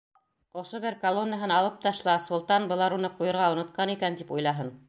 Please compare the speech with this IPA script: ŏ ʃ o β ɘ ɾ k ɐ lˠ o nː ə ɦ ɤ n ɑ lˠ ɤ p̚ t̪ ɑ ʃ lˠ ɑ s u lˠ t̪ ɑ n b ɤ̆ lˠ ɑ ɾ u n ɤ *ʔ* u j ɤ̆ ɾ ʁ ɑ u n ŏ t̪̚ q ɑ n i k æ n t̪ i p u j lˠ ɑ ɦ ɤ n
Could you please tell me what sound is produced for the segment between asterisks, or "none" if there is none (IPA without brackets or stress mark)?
q